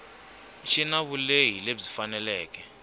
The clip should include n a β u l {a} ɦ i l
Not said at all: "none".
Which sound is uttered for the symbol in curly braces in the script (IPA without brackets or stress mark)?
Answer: e